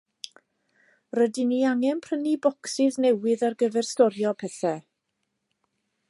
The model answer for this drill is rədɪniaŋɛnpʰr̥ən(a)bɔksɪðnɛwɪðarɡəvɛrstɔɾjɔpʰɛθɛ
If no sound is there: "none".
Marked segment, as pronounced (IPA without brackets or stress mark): i